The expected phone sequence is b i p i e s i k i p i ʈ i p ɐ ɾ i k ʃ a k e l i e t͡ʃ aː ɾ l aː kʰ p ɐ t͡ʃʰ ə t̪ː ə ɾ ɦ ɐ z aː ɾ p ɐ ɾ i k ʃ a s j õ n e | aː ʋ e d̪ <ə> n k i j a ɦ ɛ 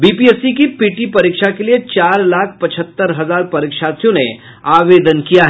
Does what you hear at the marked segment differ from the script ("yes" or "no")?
no